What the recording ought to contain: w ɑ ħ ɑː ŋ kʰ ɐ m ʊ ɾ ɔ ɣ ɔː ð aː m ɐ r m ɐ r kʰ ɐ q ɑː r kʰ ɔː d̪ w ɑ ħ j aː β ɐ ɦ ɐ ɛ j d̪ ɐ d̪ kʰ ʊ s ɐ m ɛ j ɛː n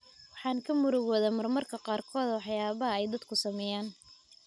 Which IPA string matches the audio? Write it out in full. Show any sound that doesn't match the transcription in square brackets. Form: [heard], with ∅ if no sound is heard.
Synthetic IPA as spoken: w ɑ ħ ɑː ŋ kʰ ɐ m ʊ ɾ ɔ ɣ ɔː ð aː m ɐ r m ɐ r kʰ ɐ q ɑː r kʰ ɔː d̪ w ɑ ħ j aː β ɐ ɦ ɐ ɛ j d̪ ɐ d̪ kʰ ʊ s ɐ m ɛ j [aː] n